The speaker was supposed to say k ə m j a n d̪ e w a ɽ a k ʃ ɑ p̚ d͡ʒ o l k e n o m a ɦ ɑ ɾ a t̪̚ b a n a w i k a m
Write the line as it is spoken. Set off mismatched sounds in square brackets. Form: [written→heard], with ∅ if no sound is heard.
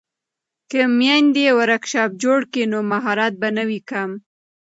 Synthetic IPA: k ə m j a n d̪ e w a [ɽ→ɾ] a k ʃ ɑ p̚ d͡ʒ o [l→ɽ] k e n o m a ɦ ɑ ɾ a t̪̚ b a n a w i k a m